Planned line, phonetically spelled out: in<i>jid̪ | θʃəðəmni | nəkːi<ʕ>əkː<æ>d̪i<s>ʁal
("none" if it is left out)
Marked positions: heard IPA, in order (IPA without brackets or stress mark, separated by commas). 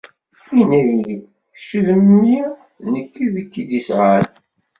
æ, ð, i, s